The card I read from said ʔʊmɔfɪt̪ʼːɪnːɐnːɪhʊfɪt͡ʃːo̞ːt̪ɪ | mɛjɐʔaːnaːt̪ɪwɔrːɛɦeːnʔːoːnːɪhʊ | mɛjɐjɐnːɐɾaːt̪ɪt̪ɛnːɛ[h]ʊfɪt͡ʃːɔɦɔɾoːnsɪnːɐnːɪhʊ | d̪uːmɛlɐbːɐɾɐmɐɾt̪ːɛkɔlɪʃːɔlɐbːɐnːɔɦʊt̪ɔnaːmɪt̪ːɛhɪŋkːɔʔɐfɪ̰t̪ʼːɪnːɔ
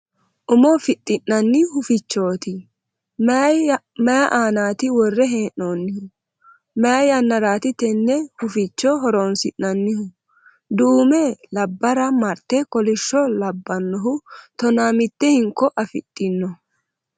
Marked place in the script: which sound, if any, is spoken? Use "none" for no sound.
h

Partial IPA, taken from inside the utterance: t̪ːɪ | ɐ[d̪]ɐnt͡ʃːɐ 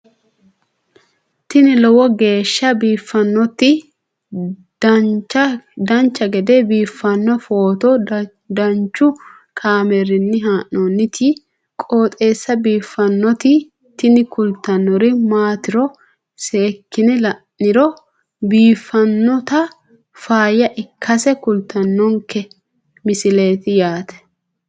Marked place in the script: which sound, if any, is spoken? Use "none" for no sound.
d̪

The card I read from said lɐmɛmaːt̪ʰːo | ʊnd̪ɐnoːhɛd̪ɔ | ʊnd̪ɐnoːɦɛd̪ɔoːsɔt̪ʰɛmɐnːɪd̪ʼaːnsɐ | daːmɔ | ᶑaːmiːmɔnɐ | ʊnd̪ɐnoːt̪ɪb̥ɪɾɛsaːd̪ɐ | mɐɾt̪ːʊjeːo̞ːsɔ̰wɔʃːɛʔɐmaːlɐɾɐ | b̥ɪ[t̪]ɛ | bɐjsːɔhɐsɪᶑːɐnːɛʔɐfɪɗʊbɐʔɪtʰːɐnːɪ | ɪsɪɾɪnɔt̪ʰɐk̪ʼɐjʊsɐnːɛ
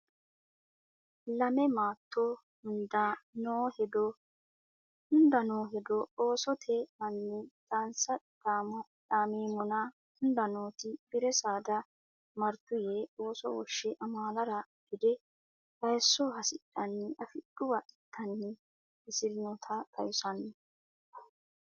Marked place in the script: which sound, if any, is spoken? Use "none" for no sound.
d̪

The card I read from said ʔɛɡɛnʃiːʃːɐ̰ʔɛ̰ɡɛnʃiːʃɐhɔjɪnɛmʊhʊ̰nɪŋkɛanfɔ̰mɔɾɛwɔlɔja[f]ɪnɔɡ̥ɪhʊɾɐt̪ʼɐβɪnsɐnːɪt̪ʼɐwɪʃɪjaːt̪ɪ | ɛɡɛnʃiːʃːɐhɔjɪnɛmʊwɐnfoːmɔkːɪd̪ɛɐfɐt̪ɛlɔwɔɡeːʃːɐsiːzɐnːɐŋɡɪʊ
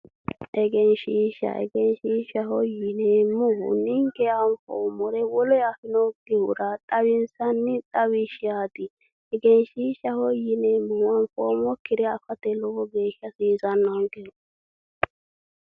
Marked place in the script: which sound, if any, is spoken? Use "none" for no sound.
f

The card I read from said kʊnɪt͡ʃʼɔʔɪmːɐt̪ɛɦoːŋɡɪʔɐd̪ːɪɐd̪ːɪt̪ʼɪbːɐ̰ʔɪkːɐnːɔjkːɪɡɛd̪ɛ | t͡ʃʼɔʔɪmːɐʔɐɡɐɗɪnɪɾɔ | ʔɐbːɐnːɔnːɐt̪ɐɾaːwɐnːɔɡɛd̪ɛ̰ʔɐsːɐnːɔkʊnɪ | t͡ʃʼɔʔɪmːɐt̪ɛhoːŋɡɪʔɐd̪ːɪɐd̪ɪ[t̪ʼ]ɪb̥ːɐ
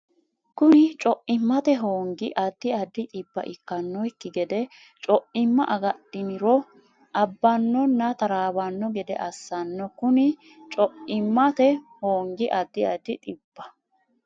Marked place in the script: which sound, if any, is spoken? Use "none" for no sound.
t̪ʼ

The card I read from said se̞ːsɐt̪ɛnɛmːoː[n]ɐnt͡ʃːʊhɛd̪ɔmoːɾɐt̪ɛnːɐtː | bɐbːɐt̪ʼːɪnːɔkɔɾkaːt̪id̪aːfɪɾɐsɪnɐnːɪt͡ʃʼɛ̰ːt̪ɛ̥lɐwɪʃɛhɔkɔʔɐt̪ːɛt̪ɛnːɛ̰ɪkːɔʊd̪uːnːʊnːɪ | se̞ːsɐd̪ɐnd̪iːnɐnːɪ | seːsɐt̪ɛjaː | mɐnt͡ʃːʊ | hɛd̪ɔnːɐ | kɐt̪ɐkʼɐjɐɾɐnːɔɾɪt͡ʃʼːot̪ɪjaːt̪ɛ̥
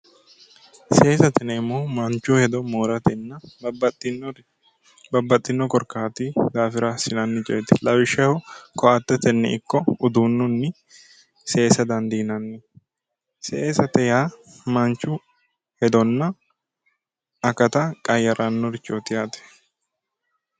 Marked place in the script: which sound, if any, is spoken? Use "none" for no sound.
m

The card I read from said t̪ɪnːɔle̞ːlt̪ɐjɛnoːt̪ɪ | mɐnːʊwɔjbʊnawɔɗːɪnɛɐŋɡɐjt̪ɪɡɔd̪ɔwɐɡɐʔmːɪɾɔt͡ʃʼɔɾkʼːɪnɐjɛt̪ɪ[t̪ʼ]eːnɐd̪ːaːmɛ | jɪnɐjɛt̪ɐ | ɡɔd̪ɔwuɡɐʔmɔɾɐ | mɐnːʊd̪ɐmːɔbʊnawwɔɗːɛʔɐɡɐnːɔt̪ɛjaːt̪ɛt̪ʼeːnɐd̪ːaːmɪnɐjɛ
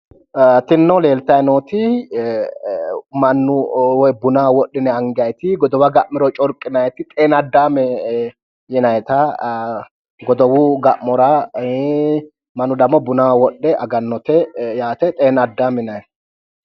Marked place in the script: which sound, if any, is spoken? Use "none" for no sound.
t̪ʼ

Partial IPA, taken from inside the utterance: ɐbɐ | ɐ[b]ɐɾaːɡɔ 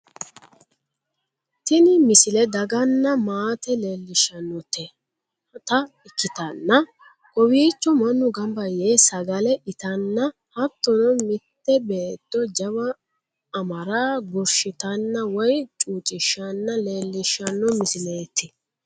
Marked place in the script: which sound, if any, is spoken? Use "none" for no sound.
m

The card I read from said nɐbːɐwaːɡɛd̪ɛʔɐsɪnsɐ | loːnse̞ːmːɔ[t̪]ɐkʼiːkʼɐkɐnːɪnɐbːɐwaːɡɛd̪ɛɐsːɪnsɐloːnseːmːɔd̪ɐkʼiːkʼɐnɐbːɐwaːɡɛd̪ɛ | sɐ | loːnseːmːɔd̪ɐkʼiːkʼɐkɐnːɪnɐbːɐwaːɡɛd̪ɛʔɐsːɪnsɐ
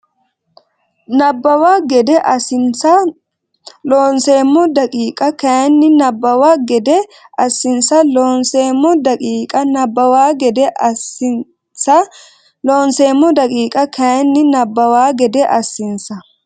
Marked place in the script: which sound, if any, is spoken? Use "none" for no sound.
d̪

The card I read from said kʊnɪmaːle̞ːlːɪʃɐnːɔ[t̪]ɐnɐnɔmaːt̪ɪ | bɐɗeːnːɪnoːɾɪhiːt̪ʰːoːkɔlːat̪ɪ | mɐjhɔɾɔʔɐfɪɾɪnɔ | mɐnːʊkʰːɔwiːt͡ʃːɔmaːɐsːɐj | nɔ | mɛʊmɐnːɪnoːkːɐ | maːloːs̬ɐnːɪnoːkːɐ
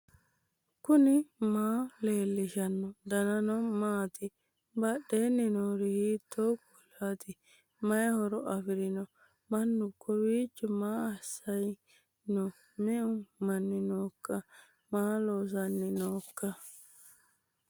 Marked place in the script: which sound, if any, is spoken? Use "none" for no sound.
d̪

